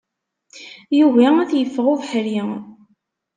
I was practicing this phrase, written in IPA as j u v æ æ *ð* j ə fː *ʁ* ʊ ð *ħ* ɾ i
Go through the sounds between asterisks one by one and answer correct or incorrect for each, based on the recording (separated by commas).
incorrect, correct, correct